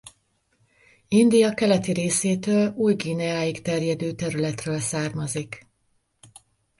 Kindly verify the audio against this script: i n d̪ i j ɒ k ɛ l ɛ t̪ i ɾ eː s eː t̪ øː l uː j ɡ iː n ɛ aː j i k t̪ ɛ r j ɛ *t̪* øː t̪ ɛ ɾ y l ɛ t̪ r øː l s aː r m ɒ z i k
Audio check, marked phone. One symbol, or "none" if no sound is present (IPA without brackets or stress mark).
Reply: d̪